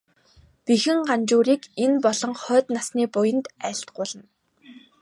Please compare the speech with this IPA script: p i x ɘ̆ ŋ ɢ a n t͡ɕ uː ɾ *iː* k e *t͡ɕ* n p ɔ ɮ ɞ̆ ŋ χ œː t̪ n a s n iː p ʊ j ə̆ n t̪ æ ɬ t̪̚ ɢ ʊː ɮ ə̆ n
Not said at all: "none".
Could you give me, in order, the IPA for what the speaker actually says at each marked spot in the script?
iː, none

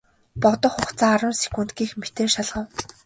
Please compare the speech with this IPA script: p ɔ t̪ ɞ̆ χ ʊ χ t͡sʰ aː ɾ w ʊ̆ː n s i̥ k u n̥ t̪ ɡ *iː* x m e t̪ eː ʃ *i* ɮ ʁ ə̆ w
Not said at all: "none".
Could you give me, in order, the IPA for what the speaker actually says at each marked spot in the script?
iː, a

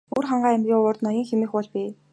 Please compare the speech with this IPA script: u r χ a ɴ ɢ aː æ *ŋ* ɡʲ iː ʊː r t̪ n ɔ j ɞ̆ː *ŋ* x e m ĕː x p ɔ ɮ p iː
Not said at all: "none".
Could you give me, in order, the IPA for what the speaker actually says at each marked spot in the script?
m, ŋ

